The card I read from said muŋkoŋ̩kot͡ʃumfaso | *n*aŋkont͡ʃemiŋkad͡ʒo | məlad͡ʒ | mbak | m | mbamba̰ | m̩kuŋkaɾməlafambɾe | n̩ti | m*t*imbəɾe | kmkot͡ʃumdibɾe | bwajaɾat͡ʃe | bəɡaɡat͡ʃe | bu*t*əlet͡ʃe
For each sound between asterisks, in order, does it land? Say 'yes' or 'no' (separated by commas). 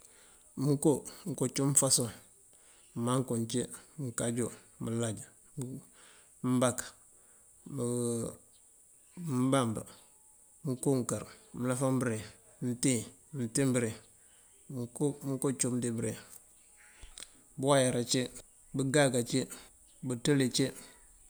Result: no, yes, yes